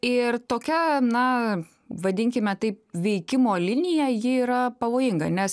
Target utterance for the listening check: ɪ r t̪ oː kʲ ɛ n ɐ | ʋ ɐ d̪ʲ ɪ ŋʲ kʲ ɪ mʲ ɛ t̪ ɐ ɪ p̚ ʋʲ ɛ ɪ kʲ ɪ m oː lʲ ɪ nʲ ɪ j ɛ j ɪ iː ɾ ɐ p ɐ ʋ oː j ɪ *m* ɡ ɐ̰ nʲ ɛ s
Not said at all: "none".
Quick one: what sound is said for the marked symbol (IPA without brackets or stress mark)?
ŋ